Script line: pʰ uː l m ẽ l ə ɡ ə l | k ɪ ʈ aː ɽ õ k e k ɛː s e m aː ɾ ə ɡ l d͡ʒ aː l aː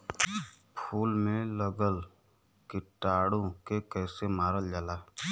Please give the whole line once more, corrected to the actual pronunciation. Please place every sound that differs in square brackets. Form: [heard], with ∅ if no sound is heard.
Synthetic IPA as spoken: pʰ uː l m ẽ l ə ɡ ə l | k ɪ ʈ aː ɽ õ k e k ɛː s e m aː ɾ ə [∅] l d͡ʒ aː l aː